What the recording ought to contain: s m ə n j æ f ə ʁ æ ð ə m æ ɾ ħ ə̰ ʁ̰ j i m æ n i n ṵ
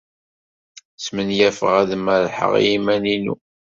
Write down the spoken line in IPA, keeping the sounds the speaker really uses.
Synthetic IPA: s m ə n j æ f ə ʁ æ ð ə m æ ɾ ħ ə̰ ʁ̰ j i m æ n i n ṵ